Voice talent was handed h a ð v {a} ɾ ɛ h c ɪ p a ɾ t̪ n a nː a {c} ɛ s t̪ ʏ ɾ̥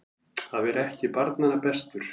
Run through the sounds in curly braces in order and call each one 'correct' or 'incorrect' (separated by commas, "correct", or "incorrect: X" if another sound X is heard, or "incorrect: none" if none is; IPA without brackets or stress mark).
incorrect: ɛ, incorrect: p